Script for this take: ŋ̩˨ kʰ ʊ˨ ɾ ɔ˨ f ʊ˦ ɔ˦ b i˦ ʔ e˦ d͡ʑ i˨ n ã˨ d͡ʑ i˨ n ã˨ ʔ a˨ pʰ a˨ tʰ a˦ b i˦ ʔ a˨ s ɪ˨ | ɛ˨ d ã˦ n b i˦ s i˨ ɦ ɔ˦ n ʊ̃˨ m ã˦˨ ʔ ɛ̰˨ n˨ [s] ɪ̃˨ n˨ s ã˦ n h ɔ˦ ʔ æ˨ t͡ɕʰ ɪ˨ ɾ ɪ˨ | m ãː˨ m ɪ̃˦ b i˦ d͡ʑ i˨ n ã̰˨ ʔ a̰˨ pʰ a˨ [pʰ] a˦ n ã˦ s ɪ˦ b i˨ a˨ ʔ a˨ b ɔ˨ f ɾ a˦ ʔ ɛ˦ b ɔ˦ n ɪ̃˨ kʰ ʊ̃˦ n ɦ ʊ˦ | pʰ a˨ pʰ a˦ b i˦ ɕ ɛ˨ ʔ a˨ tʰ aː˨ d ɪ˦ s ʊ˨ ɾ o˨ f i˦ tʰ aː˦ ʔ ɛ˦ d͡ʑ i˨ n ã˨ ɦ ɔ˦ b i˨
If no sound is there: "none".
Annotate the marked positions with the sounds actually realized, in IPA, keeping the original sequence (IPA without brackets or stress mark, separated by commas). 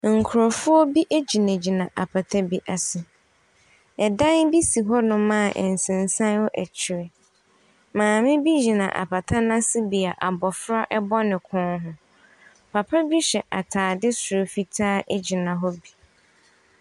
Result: s, tʰ